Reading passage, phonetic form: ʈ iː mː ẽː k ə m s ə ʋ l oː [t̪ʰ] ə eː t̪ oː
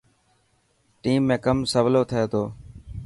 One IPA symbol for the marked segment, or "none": t̪ʰ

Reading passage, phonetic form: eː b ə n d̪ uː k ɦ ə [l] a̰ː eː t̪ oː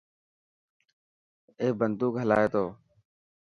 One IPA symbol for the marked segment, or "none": l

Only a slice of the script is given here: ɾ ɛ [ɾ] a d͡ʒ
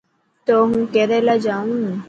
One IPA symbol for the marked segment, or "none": l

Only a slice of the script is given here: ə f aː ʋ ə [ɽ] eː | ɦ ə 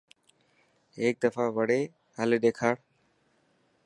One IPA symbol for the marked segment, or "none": ɽ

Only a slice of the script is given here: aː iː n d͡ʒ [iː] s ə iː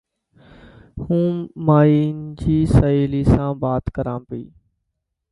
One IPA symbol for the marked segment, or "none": iː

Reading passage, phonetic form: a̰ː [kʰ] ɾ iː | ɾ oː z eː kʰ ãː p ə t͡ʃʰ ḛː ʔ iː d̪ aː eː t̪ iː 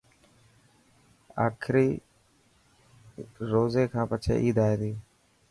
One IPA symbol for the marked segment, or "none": kʰ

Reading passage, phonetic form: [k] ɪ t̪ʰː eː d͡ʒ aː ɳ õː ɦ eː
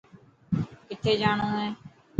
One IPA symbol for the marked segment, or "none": k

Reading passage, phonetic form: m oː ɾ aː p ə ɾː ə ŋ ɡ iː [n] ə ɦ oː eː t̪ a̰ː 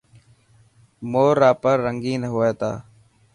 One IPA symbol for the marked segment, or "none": n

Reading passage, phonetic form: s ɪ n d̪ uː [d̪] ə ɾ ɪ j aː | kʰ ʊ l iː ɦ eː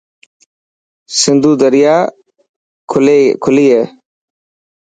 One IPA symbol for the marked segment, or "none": d̪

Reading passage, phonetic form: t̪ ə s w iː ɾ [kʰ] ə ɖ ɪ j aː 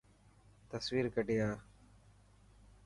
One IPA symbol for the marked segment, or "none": k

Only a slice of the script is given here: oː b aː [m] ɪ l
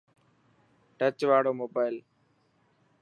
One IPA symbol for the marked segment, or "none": none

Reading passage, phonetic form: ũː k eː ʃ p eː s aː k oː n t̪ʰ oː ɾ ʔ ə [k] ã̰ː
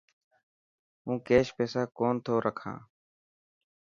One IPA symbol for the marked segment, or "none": kʰ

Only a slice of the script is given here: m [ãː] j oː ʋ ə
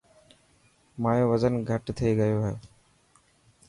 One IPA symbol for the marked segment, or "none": aː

